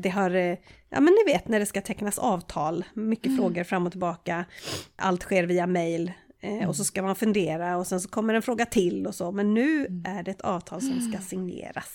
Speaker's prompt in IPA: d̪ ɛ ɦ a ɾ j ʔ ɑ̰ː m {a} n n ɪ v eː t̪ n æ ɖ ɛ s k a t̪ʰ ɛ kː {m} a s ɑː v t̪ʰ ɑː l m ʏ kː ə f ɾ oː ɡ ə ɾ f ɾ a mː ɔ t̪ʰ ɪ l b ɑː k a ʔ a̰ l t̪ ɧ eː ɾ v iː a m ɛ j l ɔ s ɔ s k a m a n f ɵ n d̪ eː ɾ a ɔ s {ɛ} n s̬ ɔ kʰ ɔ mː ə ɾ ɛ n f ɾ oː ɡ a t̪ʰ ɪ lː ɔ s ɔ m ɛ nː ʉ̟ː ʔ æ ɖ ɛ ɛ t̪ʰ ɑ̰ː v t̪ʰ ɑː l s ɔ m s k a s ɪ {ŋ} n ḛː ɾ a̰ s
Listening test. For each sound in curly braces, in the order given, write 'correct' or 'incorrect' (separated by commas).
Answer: incorrect, incorrect, correct, correct